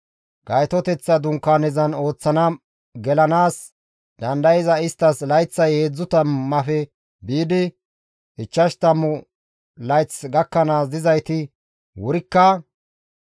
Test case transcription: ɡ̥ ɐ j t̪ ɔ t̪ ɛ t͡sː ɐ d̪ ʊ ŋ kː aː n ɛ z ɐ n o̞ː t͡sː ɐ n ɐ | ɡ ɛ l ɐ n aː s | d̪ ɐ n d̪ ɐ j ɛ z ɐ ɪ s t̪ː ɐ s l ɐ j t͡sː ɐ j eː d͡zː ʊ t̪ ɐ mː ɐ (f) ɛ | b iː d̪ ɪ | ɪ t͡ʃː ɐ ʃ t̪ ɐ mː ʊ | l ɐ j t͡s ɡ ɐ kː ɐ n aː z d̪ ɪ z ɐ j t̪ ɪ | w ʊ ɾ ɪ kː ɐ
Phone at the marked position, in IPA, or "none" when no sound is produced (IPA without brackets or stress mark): f